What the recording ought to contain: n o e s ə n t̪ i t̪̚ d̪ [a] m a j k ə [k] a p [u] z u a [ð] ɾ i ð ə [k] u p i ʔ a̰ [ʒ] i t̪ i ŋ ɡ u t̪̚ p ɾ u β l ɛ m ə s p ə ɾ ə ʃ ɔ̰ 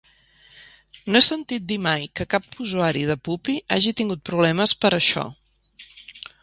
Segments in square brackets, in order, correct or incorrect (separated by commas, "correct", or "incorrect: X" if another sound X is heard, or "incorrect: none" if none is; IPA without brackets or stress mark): incorrect: i, correct, correct, incorrect: none, incorrect: p, correct